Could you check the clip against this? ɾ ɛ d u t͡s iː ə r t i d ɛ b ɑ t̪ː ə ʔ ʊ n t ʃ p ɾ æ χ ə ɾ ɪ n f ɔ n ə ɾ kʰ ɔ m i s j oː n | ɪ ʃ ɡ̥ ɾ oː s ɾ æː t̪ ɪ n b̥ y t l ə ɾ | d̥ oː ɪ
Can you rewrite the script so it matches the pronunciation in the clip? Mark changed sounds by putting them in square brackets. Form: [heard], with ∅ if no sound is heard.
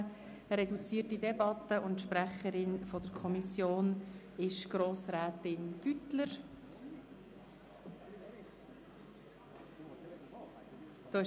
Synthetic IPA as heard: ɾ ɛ d u t͡s iː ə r t i d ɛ b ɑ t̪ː ə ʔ ʊ n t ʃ p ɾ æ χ ə ɾ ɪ n f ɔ [d] ə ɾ kʰ ɔ m i s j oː n | ɪ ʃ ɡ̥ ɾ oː s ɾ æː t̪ ɪ n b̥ y t l ə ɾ | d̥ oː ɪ

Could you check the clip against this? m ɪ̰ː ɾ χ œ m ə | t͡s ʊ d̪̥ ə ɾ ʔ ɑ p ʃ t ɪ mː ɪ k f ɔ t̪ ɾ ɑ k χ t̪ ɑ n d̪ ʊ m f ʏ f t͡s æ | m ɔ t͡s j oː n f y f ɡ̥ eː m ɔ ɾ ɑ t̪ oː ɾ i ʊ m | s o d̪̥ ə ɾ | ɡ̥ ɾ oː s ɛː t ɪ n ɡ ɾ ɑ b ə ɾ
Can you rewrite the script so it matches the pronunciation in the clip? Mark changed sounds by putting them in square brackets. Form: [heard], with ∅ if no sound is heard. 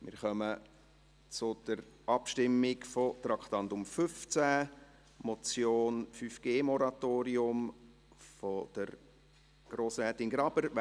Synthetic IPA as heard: m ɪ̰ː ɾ χ œ m ə | t͡s ʊ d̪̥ ə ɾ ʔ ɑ p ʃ t ɪ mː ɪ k f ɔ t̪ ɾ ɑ k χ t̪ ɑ n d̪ ʊ m f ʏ f t͡s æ | m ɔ t͡s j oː n f y f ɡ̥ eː m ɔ ɾ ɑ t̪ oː ɾ i ʊ m | [f] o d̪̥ ə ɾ | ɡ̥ ɾ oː s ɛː t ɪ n ɡ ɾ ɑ b ə ɾ

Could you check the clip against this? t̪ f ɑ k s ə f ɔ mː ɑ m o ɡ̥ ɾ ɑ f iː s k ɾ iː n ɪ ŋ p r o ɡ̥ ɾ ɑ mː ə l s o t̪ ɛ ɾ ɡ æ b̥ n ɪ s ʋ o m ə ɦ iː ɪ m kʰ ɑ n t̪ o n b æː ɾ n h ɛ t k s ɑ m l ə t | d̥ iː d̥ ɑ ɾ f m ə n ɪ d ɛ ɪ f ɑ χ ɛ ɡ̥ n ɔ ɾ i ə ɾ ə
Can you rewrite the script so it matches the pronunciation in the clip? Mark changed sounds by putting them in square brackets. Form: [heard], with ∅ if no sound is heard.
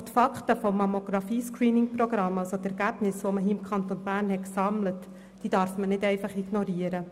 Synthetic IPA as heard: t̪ f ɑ k [t] ə f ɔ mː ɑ m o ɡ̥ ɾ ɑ f iː s k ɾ iː n ɪ ŋ p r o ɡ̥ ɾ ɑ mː [ɑ] l s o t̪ ɛ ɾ ɡ æ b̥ n ɪ s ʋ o m ə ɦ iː ɪ m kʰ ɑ n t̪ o n b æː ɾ n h ɛ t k s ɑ m l ə t | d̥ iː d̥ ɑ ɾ f m ə n ɪ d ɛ ɪ f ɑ χ [i] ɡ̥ n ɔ ɾ i ə ɾ ə

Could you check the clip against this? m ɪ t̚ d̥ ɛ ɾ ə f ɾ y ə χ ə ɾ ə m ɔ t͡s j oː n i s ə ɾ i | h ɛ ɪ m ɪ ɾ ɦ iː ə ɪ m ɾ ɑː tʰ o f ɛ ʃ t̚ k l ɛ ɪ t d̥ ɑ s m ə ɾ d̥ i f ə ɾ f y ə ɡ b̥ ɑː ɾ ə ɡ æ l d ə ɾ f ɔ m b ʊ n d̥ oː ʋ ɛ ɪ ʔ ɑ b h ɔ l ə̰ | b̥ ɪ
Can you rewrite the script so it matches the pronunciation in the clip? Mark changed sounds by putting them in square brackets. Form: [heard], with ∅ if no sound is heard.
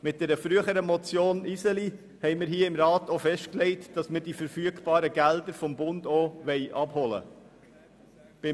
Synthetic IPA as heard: m ɪ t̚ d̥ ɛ ɾ ə f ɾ y ə χ ə ɾ ə m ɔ t͡s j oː n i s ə [l] i | h ɛ ɪ m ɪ ɾ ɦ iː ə ɪ m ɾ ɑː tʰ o f ɛ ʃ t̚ k l ɛ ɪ t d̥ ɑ s m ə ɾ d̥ i f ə ɾ f y ə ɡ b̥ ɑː ɾ ə ɡ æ l d ə ɾ f ɔ m b ʊ n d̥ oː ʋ ɛ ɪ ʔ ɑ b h ɔ l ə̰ | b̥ ɪ

